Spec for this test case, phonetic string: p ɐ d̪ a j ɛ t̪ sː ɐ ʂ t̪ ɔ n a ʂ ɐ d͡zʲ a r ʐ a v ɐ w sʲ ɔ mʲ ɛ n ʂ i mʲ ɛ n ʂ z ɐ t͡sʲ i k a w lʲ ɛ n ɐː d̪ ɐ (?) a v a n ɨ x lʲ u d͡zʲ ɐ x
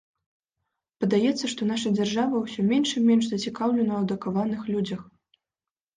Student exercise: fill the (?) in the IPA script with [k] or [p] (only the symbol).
k